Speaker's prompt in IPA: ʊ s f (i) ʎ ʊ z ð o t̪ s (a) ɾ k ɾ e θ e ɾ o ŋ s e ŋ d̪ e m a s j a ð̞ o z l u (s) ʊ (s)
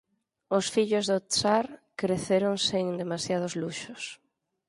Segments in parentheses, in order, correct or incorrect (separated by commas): correct, correct, incorrect, correct